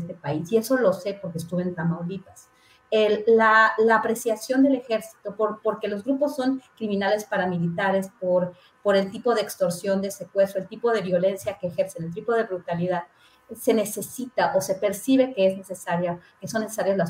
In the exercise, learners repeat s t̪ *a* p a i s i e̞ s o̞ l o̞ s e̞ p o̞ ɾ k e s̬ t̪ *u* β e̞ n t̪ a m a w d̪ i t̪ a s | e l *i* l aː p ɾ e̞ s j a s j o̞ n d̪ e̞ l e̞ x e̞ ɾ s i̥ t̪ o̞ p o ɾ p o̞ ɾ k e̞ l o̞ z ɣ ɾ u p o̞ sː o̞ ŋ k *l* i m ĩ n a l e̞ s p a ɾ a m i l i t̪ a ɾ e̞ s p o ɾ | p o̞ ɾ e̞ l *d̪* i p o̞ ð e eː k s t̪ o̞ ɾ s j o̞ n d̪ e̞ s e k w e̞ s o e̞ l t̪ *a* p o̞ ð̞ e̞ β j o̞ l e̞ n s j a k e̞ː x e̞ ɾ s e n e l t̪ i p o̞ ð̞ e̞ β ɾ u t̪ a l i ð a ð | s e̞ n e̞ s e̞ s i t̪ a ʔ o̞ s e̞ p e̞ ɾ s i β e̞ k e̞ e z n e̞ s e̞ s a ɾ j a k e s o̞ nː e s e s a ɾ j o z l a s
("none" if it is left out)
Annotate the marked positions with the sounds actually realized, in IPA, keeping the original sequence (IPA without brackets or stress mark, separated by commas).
e, u, a, ɾ, t̪, i